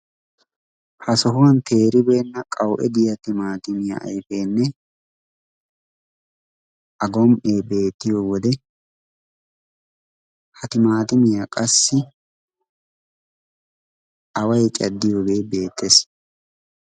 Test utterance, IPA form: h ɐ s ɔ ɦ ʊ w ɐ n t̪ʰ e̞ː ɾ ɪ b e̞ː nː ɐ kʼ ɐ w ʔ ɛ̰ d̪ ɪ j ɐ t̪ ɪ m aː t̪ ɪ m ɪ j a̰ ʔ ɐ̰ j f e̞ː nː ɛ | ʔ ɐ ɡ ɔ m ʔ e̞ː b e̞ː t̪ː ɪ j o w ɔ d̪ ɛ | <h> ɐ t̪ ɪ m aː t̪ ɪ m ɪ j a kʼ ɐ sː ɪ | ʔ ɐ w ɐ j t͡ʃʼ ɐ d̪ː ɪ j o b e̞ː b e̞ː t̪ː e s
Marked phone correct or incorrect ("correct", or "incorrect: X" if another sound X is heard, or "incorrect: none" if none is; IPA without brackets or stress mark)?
correct